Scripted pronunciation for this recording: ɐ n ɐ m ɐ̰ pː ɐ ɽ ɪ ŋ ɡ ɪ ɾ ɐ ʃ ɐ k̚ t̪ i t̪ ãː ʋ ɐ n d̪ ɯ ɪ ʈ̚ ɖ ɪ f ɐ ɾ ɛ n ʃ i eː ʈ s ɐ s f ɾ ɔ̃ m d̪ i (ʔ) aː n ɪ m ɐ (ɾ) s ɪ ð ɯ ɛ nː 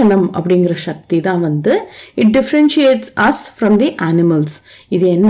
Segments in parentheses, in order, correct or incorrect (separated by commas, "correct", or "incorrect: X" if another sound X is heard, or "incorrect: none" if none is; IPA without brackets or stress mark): correct, incorrect: l